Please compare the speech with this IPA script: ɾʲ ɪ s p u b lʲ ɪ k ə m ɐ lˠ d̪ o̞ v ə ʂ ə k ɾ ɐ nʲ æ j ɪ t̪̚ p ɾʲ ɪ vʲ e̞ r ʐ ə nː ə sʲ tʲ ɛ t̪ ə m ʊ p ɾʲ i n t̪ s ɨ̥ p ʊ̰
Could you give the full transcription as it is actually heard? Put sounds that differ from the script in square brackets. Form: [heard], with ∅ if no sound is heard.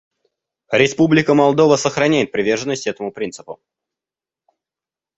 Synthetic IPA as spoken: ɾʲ ɪ s p u b lʲ ɪ k ə m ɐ lˠ d̪ o̞ v ə [s] ə [x] ɾ ɐ nʲ æ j ɪ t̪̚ p ɾʲ ɪ vʲ e̞ r ʐ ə nː ə sʲ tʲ ɛ t̪ ə m ʊ p ɾʲ i n t̪ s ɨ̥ p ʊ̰